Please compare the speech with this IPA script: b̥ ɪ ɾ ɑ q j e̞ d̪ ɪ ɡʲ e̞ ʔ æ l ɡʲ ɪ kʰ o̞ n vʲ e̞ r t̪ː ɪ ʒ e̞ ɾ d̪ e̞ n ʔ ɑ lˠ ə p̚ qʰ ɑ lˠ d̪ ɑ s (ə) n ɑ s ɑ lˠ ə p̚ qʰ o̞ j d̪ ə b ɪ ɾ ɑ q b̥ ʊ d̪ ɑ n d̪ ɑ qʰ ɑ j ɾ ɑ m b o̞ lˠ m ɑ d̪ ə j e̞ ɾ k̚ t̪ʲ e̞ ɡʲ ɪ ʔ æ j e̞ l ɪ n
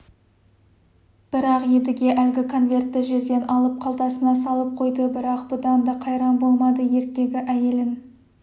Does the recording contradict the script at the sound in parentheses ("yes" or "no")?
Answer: no